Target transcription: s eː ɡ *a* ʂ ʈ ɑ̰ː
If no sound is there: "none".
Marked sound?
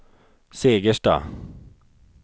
ə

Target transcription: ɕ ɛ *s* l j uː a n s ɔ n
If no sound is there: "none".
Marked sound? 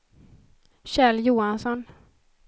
none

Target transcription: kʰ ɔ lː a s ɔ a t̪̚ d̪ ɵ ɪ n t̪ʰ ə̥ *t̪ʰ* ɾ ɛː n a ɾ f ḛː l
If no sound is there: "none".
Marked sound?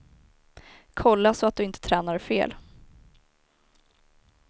t̪ʰ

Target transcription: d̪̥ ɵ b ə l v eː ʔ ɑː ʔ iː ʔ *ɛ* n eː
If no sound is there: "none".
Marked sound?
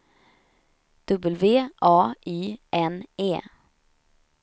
ɛ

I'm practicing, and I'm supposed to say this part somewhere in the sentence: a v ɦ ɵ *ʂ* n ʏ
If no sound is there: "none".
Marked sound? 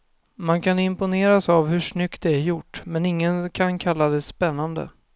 ʂ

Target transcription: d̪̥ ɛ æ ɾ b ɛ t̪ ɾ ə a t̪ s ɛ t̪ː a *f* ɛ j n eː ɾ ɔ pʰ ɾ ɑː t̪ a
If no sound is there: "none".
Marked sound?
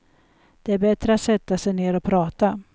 s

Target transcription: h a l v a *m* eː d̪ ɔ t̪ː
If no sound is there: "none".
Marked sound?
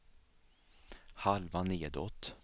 n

